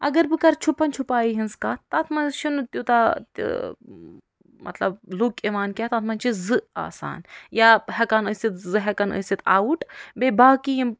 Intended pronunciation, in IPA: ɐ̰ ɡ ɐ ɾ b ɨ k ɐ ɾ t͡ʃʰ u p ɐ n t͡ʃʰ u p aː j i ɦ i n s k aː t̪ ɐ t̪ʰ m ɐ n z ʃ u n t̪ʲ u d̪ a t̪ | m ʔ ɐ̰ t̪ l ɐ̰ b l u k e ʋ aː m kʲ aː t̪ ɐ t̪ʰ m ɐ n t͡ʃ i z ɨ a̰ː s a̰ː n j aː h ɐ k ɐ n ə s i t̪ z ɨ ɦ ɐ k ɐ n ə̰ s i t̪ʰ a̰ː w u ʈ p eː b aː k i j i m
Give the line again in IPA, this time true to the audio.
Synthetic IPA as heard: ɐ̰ ɡ ɐ ɾ b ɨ k ɐ ɾ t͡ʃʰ u p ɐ n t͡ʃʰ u p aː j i ɦ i n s k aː t̪ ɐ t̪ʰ m ɐ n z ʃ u n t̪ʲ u t̪ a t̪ | m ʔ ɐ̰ t̪ l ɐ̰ b l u k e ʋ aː n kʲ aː t̪ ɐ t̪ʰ m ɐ n t͡ʃ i z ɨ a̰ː s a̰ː n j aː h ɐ k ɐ n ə s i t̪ z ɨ ɦ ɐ k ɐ n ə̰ s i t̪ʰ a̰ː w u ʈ b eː b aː k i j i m